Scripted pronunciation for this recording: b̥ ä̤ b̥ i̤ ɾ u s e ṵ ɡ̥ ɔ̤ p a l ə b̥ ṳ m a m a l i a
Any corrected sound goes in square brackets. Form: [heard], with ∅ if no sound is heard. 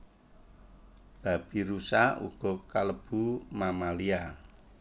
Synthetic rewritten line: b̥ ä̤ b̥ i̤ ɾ u s [a] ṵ ɡ̥ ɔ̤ [k] a l ə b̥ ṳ m a m a l i a